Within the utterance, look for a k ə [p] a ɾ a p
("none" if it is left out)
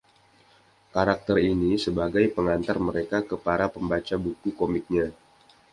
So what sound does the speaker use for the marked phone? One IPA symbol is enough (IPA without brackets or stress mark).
p